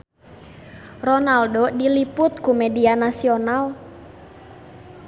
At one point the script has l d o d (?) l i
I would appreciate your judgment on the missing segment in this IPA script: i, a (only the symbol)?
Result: i